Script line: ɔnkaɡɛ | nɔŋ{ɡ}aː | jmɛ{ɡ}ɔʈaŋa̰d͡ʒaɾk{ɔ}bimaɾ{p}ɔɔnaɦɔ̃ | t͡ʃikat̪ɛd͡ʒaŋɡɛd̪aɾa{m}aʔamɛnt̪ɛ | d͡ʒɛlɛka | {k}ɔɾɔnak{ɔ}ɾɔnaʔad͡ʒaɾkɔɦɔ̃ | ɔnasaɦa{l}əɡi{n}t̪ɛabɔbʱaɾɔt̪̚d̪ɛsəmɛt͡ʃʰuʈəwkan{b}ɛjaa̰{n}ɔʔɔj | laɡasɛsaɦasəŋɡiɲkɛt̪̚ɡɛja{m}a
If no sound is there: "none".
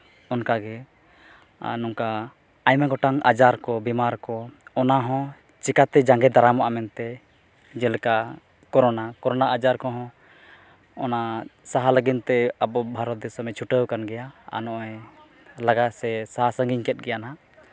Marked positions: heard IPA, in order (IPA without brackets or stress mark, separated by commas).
k, ɡ, ɔ, k, m, k, ɔ, l, n, ɡ, n, n